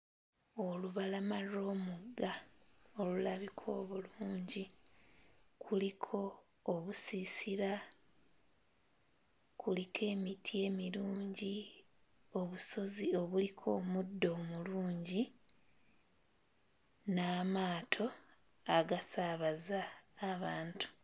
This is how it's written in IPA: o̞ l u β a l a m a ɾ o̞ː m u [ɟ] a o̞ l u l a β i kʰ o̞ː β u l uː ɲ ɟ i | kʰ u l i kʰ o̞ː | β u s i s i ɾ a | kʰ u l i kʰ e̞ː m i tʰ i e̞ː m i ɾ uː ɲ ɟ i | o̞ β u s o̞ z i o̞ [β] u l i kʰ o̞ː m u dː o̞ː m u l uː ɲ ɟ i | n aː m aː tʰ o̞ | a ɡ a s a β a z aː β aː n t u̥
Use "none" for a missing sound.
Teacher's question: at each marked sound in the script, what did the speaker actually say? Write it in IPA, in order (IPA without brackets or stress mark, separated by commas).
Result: ɡ, β